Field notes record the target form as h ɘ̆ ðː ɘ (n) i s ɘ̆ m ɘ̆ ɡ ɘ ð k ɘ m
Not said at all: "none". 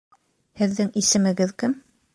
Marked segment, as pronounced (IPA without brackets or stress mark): ŋ